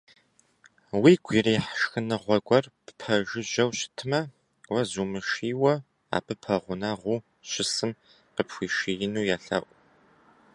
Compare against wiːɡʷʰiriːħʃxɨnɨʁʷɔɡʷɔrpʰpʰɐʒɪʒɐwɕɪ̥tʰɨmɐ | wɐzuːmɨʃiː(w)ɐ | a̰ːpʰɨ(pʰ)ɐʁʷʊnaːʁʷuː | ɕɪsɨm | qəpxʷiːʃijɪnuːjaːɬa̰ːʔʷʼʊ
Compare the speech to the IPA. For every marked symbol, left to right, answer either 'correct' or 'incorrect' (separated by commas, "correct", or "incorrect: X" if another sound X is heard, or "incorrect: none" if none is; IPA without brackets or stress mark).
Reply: correct, correct